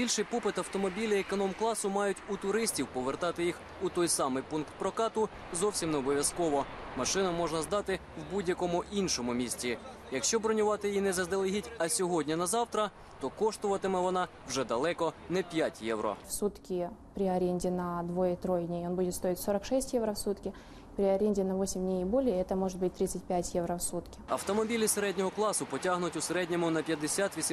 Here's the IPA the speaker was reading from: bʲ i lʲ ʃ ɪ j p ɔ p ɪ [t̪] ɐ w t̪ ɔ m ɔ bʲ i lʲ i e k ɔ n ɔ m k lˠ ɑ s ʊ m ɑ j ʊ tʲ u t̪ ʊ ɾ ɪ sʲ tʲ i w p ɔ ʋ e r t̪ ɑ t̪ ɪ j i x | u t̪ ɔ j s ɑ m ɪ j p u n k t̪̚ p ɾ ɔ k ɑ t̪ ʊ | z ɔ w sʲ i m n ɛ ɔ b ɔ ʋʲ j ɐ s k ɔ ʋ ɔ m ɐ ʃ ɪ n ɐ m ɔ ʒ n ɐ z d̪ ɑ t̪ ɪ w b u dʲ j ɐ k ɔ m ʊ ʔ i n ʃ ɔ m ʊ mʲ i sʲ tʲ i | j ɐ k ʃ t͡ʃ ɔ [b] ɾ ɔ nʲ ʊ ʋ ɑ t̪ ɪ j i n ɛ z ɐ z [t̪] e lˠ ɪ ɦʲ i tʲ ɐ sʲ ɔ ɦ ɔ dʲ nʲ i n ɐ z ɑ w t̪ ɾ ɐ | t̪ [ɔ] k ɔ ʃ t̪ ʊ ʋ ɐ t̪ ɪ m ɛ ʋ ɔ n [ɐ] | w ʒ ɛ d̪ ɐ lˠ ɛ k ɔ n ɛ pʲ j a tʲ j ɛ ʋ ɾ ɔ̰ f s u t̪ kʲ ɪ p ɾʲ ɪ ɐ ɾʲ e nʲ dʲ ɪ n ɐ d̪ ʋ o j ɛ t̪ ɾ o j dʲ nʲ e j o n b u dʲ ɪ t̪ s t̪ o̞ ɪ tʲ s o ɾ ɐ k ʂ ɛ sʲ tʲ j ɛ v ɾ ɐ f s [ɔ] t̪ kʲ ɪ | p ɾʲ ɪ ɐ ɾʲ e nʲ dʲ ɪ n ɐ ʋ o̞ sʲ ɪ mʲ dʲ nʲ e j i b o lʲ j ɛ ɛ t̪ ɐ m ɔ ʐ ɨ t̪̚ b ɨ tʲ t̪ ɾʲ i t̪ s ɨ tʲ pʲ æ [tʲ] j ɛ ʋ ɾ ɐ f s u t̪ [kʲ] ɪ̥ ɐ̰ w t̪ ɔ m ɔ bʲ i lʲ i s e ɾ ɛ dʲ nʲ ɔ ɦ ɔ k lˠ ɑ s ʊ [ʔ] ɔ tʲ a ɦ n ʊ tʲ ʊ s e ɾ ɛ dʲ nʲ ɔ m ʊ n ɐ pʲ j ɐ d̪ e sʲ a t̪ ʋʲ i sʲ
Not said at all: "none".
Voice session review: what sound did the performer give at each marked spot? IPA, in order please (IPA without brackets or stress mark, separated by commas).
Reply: t̪, b, d̪, ɔ, ɑ, u, tʲ, kʲ, p